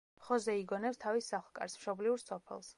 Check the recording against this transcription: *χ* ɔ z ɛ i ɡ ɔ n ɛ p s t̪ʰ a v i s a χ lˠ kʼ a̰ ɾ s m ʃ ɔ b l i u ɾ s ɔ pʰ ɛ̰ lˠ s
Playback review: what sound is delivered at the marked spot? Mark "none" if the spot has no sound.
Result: χ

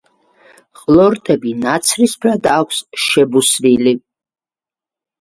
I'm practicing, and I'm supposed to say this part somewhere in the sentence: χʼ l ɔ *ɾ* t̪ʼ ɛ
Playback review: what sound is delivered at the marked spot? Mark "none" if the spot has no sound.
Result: ɾ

